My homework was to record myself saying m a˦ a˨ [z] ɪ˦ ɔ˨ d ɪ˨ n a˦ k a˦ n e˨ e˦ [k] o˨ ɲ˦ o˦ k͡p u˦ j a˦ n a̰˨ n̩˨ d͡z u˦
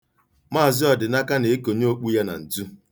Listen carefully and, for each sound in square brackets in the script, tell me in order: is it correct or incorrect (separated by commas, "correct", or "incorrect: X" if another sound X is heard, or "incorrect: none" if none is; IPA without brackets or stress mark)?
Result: correct, correct